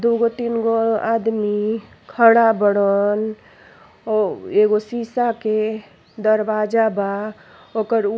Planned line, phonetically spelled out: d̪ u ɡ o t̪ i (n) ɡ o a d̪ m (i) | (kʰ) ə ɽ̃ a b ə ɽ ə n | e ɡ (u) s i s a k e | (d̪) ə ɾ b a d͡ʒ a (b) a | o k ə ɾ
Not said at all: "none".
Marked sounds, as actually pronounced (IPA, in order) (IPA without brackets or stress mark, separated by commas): n, i, kʰ, o, d̪, b